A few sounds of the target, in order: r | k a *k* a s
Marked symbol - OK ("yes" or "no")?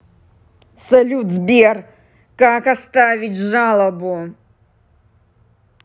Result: yes